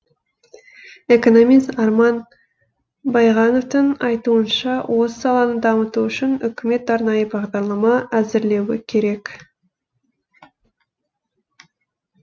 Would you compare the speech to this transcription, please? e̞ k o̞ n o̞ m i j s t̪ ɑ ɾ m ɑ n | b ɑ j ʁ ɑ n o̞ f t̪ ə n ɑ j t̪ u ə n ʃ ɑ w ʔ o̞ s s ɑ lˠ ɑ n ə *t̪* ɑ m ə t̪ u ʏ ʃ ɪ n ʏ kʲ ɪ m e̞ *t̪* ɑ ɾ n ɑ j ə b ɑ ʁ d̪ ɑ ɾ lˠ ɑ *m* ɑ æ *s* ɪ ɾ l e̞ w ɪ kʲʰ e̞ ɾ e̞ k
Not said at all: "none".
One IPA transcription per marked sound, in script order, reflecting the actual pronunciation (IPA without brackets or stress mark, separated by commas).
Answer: d̪, t̪, m, z